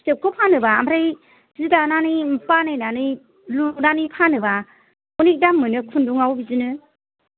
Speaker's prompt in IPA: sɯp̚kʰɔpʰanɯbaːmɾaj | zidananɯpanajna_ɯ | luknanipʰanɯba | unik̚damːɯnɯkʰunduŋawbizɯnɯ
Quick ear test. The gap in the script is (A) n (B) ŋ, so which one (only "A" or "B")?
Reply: A